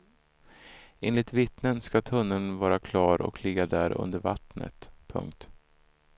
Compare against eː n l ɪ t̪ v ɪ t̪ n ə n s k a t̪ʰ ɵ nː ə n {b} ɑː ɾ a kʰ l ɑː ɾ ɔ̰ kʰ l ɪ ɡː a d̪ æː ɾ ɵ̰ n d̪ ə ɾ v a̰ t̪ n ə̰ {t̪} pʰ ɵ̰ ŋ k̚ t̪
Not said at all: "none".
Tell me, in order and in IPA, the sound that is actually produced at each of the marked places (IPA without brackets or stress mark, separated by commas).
v, t̪